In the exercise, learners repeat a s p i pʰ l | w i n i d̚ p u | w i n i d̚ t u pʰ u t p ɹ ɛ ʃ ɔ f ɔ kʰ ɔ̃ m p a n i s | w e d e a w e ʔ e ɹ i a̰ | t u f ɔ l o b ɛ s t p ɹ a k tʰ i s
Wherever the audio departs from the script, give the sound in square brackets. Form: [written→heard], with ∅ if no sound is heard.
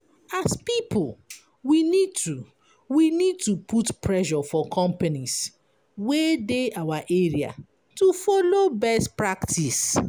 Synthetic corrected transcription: a s p i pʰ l | w i n i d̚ [p→t] u | w i n i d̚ t u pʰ u t p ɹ ɛ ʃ ɔ f ɔ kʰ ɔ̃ m p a n i s | w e d e a w [e→a] ʔ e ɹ i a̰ | t u f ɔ l o b ɛ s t p ɹ a k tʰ i s